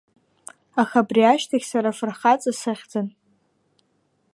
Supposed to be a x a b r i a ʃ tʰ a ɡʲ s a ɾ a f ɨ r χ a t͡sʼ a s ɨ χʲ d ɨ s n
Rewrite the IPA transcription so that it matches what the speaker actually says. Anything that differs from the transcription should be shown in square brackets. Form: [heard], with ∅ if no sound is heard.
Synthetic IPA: a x a b r i a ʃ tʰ a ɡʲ s a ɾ a f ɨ r χ a t͡sʼ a s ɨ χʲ [d͡z] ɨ [∅] n